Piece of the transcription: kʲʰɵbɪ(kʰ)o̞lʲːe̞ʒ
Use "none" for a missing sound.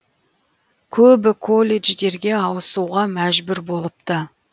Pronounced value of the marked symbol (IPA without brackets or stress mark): kʰ